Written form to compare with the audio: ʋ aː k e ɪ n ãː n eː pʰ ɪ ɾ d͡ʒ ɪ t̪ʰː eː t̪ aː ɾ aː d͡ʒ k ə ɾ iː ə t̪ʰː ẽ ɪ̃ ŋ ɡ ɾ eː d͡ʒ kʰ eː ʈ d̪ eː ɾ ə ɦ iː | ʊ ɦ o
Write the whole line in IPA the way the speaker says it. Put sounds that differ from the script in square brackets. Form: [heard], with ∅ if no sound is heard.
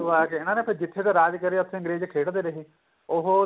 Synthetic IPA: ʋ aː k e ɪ n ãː n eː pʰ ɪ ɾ d͡ʒ ɪ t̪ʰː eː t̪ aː ɾ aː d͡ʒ k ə ɾ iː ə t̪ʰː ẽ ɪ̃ ŋ ɡ ɾ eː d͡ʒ kʰ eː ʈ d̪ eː ɾ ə ɦ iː | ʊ ɦ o

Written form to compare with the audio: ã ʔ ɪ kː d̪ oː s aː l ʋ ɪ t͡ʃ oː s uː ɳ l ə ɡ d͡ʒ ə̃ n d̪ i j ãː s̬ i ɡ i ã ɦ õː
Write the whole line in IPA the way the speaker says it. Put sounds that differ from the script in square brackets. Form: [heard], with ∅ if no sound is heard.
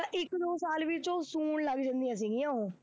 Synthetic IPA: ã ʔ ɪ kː d̪ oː s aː l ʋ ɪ t͡ʃ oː s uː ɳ l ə ɡ d͡ʒ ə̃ n d̪ i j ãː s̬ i ɡ i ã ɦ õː

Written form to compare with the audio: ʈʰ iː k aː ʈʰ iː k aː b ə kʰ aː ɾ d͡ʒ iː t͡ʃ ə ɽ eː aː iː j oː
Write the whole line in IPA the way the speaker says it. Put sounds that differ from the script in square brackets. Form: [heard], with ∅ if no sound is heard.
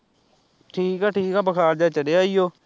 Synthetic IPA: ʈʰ iː k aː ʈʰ iː k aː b ə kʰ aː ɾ d͡ʒ [aː] t͡ʃ ə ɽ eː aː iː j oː

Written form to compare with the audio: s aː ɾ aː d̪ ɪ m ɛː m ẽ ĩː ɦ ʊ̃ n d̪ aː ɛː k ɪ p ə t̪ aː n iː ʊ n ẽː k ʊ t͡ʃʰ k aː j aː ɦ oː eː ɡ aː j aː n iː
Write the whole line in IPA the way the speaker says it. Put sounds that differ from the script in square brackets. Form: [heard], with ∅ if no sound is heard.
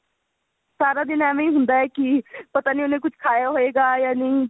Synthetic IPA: s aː ɾ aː d̪ ɪ [n] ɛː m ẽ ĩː ɦ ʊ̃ n d̪ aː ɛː k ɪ p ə t̪ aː n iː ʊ n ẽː k ʊ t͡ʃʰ [kʰ] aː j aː ɦ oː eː ɡ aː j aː n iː

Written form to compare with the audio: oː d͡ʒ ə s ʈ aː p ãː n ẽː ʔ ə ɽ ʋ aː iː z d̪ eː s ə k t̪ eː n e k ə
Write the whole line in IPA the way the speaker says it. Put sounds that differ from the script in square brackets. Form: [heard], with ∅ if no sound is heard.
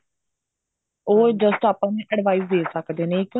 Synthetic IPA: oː d͡ʒ ə s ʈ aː p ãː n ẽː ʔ ə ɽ ʋ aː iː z d̪ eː s ə k [d̪] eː n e k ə

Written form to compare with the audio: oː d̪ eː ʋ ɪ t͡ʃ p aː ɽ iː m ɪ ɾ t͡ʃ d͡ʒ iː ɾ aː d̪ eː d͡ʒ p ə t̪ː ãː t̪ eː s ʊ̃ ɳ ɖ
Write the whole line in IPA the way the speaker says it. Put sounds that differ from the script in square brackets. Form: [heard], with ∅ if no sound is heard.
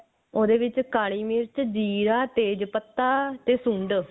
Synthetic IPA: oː d̪ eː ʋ ɪ t͡ʃ [k] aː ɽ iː m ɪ ɾ t͡ʃ d͡ʒ iː ɾ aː [t̪] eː d͡ʒ p ə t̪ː [aː] t̪ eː s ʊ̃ ɳ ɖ

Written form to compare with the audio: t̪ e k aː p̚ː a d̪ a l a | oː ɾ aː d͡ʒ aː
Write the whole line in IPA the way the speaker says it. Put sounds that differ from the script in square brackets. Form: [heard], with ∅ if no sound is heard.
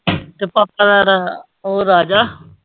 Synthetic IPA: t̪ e [p] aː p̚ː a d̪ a [ɾ] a | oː ɾ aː d͡ʒ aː

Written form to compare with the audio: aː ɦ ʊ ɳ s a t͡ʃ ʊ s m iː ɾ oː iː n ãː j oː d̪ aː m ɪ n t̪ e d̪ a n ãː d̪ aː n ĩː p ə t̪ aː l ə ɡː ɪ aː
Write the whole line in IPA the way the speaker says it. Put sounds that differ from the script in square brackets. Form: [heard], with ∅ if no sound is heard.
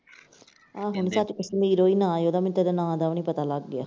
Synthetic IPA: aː ɦ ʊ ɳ s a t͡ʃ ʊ s m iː ɾ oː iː n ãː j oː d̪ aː m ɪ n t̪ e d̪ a n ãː d̪ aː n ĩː p ə t̪ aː l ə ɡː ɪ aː

